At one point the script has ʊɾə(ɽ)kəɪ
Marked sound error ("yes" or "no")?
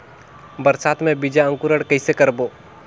no